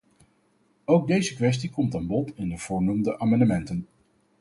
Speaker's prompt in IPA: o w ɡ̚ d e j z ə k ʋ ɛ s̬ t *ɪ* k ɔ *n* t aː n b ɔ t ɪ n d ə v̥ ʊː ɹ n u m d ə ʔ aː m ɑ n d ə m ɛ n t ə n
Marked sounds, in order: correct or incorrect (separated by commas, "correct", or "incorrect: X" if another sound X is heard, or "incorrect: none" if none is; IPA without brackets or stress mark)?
incorrect: i, incorrect: m